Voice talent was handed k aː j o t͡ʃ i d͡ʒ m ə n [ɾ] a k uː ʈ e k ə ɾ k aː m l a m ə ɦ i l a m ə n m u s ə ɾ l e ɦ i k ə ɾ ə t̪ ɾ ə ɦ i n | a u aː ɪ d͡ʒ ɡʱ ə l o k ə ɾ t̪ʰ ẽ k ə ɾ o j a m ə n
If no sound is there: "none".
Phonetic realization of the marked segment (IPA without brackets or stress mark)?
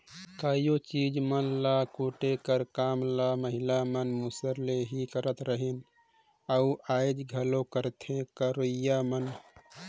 l